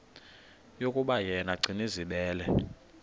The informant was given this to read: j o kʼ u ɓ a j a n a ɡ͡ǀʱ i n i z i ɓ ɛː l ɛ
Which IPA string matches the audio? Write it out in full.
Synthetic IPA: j o kʼ u ɓ a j ɛ n a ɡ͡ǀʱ i n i z i ɓ ɛː l ɛ